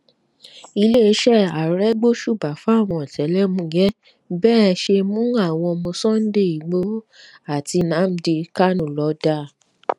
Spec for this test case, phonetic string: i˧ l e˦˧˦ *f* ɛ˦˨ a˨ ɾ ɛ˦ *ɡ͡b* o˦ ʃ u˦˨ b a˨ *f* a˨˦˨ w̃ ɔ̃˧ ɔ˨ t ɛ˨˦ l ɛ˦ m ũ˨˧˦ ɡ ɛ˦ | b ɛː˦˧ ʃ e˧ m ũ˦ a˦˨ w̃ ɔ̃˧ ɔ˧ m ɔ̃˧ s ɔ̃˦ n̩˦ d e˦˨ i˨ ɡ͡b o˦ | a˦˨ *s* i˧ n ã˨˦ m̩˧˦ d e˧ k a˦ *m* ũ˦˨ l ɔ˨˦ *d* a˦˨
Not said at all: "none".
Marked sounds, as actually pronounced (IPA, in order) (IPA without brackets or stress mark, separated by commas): ʃ, ɡ͡b, f, t, n, d